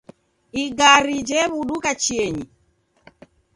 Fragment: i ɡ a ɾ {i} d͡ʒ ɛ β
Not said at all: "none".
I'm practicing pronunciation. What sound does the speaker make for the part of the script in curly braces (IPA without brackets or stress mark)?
i